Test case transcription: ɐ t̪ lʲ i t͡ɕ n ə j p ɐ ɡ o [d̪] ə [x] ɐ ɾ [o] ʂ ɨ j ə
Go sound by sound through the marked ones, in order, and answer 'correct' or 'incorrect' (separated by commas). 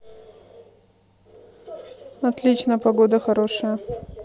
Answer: correct, correct, correct